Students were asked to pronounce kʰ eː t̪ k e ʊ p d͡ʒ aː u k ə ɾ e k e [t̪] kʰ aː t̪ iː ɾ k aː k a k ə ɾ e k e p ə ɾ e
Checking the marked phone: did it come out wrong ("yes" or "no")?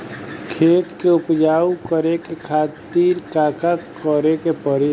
yes